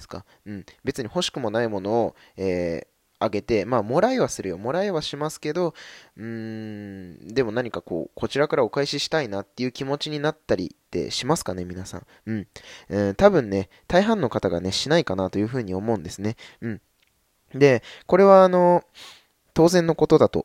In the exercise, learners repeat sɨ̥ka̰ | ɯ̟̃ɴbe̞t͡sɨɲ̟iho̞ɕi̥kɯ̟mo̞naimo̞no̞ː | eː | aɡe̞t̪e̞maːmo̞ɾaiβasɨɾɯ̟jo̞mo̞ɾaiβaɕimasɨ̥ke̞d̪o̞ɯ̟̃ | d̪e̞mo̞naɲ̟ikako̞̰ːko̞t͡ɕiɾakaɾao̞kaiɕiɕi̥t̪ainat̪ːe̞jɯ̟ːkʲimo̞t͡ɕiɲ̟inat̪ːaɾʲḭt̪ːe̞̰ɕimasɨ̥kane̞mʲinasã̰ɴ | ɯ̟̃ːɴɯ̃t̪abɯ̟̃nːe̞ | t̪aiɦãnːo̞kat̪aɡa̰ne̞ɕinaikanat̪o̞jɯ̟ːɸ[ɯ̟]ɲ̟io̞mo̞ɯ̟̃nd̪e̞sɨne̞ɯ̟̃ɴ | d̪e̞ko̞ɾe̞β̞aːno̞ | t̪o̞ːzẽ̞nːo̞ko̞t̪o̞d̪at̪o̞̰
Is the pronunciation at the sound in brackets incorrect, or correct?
incorrect